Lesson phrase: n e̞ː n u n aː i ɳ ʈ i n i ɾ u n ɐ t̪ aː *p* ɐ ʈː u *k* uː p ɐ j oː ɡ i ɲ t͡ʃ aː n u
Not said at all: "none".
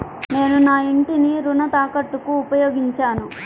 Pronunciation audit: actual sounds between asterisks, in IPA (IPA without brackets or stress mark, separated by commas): k, k